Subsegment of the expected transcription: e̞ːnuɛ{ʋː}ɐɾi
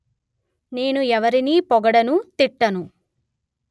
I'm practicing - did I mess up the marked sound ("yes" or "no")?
yes